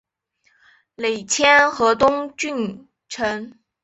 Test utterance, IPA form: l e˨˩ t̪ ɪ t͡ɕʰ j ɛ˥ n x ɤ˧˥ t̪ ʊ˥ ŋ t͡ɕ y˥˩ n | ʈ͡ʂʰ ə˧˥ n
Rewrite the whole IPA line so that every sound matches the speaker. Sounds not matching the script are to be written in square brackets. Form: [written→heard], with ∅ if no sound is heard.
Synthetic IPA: l e˨˩ [t̪→∅] ɪ t͡ɕʰ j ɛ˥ n x ɤ˧˥ t̪ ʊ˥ ŋ t͡ɕ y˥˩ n | ʈ͡ʂʰ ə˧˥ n